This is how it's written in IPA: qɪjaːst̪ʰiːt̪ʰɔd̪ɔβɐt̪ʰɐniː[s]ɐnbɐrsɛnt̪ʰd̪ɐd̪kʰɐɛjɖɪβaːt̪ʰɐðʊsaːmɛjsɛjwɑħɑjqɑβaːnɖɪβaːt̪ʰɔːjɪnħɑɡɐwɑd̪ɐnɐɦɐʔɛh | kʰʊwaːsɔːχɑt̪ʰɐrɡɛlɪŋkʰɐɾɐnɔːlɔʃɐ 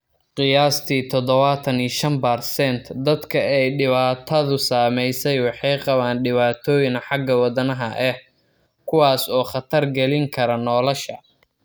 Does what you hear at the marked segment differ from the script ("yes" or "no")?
yes